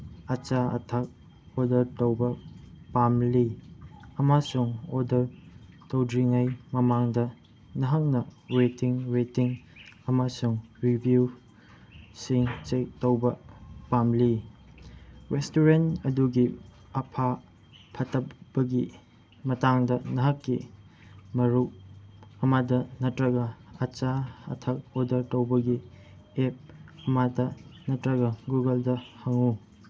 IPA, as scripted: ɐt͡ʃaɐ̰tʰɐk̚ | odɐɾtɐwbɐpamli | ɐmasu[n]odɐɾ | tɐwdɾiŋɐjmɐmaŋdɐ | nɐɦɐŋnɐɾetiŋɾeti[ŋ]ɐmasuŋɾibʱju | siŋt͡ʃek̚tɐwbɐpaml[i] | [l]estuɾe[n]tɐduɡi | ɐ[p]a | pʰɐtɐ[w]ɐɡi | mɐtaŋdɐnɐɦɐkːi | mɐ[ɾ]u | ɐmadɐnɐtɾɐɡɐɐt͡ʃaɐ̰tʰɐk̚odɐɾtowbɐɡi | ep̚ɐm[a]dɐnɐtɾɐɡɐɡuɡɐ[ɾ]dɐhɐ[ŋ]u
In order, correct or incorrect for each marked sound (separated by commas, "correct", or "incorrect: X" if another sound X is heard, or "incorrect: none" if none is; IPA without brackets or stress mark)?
incorrect: ŋ, correct, correct, incorrect: ɾ, correct, incorrect: pʰ, incorrect: b, correct, correct, incorrect: l, correct